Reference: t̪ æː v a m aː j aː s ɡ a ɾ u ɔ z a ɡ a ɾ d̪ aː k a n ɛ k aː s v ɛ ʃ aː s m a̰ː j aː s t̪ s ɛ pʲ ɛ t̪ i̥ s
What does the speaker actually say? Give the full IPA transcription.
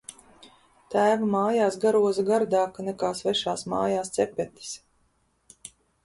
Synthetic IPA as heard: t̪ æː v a m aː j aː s ɡ a ɾ u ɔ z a ɡ a ɾ d̪ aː k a n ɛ k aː s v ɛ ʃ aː s m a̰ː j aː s t̪ s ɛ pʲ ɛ t̪ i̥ s